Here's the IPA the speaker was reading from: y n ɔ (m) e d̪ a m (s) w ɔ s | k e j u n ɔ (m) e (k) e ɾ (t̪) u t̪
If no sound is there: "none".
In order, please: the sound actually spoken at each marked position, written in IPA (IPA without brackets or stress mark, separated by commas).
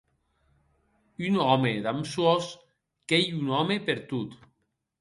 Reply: m, s, m, p, t̪